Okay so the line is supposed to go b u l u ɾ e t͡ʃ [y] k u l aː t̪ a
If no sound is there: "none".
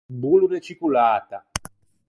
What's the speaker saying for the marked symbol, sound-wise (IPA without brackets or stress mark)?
i